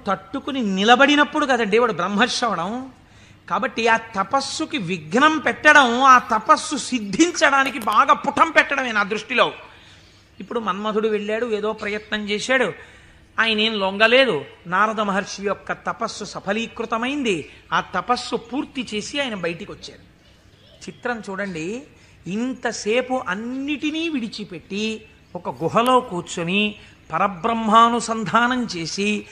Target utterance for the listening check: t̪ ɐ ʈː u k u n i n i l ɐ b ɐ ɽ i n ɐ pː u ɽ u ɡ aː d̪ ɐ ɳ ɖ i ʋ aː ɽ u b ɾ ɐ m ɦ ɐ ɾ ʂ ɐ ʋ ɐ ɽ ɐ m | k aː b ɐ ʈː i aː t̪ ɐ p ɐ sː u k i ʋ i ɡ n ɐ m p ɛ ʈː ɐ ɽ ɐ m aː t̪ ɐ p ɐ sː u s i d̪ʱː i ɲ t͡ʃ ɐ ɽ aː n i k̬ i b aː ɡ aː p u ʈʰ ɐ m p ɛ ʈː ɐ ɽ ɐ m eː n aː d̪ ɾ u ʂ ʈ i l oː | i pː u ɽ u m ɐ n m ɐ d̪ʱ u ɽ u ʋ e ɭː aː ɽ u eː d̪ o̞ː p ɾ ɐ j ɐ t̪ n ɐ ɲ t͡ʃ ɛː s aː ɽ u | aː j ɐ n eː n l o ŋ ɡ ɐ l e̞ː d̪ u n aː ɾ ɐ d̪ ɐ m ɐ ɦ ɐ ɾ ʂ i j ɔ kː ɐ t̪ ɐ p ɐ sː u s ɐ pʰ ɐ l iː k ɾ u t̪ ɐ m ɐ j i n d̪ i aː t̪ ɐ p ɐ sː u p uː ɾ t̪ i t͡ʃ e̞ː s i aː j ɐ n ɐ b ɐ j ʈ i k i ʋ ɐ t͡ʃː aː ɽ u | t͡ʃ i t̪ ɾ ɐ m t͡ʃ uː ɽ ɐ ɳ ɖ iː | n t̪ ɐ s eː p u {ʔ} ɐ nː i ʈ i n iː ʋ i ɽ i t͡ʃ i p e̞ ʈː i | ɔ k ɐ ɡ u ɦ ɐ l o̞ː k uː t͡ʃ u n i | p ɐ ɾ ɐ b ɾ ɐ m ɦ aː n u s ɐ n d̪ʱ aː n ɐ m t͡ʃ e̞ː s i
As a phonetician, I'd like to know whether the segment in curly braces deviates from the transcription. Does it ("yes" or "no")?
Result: no